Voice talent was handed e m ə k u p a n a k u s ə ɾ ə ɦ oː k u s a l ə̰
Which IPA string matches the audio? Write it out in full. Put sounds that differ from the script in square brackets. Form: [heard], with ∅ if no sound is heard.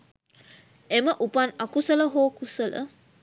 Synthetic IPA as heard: e m ə [ʔ] u p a n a k u s ə [l] ə ɦ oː k u s [ə] l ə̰